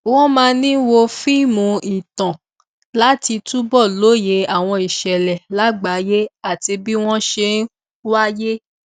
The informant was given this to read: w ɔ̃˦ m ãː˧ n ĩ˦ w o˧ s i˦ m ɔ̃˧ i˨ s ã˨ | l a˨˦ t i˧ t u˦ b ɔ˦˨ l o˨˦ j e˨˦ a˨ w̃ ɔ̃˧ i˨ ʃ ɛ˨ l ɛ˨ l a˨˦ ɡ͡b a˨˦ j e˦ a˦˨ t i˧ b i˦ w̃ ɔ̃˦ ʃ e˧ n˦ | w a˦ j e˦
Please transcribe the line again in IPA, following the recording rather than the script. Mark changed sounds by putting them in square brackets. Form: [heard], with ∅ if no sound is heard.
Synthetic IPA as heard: w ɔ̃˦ m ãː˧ n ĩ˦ w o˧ [f] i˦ m [ũ˧] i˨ [t] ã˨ | l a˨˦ t i˧ t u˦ b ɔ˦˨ l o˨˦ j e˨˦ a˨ w̃ ɔ̃˧ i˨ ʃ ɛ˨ l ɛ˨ l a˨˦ ɡ͡b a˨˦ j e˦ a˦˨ t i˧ b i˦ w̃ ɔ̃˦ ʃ e˧ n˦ | w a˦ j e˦

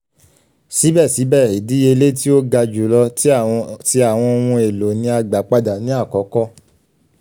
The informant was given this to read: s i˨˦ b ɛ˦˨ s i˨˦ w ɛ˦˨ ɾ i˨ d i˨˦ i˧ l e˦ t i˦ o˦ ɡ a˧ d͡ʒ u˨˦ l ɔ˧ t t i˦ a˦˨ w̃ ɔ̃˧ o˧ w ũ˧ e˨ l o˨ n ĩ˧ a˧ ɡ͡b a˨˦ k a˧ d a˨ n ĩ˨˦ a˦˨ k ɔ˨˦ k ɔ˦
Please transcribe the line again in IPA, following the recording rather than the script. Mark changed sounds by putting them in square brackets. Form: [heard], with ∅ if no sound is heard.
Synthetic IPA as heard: s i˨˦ b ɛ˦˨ s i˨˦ [b] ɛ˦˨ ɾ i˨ d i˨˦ [e˧] l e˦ t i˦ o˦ ɡ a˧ d͡ʒ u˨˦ l ɔ˧ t t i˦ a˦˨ w̃ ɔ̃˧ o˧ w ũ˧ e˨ l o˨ n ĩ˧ a˧ ɡ͡b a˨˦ [k͡p] a˧ d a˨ n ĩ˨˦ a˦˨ k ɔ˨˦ k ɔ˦

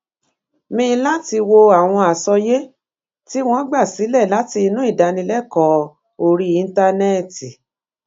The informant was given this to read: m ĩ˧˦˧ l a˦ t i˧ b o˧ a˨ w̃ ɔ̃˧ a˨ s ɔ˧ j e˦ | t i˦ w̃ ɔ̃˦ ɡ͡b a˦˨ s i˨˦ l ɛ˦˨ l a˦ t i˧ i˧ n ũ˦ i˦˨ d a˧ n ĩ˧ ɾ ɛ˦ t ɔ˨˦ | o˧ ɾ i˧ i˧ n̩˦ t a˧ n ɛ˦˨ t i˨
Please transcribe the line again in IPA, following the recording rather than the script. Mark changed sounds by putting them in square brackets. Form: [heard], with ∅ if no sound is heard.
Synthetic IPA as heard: m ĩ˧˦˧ l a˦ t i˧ [w] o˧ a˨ w̃ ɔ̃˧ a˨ s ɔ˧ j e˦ | t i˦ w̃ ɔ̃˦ ɡ͡b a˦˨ s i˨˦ l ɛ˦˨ l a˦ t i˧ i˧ n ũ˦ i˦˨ d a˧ n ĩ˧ [l] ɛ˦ [k] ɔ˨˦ | o˧ ɾ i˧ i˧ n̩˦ t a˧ n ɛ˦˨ t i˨

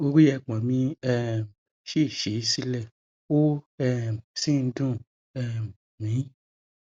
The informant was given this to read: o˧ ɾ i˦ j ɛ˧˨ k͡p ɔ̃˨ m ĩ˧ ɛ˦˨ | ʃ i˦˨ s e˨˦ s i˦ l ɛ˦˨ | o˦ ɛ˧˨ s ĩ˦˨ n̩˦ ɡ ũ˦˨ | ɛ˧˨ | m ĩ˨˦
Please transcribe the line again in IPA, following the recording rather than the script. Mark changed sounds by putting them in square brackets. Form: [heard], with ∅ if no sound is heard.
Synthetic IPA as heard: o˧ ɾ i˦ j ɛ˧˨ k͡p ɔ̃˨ m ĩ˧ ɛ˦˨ | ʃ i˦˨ [ʃ] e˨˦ s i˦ l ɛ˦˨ | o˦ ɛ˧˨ s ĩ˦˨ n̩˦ [d] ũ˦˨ | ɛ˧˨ | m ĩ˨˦

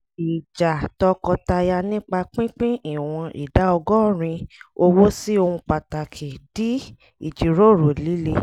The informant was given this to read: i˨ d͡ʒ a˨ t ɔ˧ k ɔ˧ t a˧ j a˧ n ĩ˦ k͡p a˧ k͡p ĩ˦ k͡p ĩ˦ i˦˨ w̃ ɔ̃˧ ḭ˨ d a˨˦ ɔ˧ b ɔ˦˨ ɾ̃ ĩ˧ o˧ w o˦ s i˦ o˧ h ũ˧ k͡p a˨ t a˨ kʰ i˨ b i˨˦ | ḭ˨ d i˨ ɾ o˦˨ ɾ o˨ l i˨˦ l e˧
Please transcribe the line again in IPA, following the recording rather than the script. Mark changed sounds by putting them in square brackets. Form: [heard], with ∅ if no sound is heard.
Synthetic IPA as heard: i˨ d͡ʒ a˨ t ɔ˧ k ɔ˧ t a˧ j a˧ n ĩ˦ k͡p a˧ k͡p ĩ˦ k͡p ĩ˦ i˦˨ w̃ ɔ̃˧ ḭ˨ d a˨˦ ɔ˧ [ɡ] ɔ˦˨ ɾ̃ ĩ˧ o˧ w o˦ s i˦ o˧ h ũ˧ k͡p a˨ t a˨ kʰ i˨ [d] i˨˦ | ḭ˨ [d͡ʒ] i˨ ɾ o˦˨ ɾ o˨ l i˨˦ l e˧

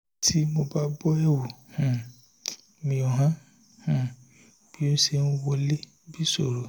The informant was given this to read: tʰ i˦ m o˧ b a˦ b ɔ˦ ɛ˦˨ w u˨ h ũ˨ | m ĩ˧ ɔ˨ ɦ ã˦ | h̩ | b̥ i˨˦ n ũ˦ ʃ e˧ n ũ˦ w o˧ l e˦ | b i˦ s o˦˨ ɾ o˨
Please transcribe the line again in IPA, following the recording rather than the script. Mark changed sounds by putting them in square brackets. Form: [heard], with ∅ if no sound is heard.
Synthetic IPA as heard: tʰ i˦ m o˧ b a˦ b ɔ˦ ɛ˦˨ w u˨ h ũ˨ | m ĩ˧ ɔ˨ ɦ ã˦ | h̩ | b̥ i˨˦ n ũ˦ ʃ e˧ n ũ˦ w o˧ l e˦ | b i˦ s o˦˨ ɾ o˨

